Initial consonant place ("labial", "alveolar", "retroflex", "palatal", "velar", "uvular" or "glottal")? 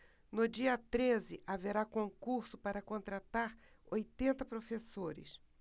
alveolar